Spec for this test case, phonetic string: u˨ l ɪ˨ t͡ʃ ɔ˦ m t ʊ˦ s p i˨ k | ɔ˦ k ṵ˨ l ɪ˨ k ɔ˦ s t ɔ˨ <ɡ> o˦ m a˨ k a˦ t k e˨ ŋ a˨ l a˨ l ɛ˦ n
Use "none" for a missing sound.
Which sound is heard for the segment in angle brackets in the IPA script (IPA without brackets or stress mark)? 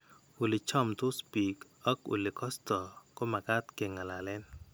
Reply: k